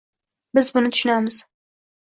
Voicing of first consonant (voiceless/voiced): voiced